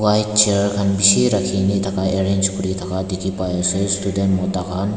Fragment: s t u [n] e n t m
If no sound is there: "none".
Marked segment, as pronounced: d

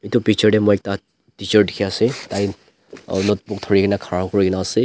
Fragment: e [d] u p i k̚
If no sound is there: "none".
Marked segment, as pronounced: t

